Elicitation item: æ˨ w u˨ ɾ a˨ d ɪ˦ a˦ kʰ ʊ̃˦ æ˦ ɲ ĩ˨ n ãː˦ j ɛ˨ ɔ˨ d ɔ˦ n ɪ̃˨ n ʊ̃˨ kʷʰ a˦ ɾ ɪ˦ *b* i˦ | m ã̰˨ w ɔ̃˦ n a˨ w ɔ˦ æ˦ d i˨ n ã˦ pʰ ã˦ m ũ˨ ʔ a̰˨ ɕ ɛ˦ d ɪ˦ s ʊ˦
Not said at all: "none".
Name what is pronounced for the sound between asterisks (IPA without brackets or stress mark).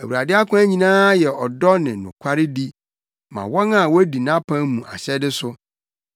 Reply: d